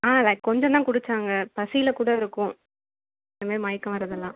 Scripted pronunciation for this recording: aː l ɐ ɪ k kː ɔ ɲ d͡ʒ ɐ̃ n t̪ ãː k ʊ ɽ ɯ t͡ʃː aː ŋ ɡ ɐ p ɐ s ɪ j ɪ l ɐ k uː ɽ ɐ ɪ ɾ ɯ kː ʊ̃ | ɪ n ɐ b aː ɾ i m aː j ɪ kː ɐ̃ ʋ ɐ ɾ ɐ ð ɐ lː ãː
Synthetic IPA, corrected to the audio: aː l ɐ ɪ k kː ɔ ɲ d͡ʒ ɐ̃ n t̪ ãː k ʊ ɽ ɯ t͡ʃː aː ŋ ɡ ɐ p ɐ s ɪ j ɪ l ɐ k uː ɽ ɐ ɪ ɾ ɯ kː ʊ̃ | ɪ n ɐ m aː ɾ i m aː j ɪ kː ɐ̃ ʋ ɐ ɾ ɐ ð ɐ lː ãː